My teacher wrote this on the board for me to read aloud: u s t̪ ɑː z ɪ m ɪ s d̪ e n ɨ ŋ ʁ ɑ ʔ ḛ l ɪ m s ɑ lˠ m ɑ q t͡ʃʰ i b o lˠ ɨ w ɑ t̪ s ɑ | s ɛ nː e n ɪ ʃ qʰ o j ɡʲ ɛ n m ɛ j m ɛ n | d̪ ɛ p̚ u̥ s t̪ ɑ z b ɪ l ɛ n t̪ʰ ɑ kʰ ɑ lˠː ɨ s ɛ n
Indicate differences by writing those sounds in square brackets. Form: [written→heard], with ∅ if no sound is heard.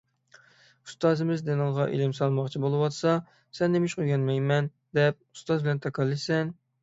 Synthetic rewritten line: u s t̪ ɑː z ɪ m ɪ [s→z] d̪ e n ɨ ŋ ʁ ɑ ʔ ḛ l ɪ m s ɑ lˠ m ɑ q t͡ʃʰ i b o lˠ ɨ w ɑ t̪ s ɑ | s ɛ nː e [n→m] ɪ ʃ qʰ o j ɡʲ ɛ n m ɛ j m ɛ n | d̪ ɛ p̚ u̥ s t̪ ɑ z b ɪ l ɛ n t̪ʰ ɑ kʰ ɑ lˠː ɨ s ɛ n